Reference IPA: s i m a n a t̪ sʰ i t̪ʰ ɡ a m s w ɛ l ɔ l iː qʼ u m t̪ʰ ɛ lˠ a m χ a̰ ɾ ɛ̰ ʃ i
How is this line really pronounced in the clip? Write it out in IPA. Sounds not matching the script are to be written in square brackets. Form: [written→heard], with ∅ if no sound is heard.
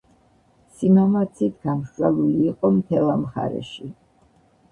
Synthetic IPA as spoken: s i m a [n→m] a t̪ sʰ i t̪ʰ ɡ a m [s→ʃ] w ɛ l [ɔ→u] l iː qʼ [u→ɔ] m t̪ʰ ɛ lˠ a m χ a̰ ɾ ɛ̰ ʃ i